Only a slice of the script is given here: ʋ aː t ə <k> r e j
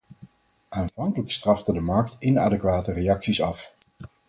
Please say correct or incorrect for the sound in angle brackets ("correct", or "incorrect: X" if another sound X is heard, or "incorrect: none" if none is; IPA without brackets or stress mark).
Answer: incorrect: none